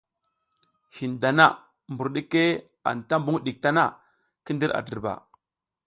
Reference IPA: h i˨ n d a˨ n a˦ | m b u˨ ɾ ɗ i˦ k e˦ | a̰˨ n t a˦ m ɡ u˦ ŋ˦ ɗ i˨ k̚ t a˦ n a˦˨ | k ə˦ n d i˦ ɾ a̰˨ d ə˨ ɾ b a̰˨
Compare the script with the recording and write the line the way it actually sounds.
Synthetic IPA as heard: h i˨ n d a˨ n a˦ | m b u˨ ɾ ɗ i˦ k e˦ | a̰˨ n t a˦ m b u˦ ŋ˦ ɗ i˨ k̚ t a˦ n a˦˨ | k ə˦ n d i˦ ɾ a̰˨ d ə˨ ɾ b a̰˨